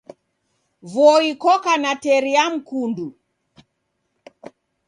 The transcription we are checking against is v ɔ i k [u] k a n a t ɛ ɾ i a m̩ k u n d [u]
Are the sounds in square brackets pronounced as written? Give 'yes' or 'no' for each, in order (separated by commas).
no, yes